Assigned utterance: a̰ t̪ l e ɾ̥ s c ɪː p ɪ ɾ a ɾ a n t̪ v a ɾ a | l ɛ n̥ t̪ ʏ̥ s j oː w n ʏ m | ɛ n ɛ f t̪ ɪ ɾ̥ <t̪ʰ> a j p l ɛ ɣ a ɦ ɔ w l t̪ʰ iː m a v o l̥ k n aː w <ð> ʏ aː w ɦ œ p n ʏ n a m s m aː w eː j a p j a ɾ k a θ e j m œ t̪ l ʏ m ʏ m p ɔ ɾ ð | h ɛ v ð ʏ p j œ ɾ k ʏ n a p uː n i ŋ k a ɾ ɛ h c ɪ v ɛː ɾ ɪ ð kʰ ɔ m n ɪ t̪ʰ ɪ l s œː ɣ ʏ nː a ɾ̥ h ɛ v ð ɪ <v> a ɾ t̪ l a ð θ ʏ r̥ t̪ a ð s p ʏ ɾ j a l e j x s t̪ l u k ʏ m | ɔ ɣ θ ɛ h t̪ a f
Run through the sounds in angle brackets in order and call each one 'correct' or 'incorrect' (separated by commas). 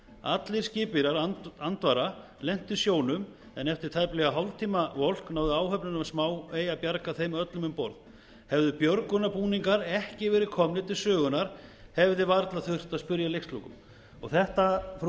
correct, correct, correct